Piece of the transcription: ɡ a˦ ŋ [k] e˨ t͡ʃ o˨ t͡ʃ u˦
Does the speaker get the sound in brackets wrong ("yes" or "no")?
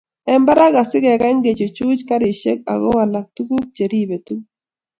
yes